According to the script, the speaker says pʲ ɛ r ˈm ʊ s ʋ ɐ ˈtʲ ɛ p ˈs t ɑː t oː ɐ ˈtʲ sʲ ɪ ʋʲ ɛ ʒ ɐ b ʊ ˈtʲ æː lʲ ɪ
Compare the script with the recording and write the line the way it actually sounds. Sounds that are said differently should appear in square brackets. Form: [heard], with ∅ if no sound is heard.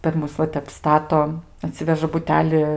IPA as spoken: pʲ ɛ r ˈm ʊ s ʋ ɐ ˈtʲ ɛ p ˈs t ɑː t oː ɐ ˈtʲ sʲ ɪ ʋʲ ɛ ʒ ɐ b ʊ ˈtʲ æː lʲ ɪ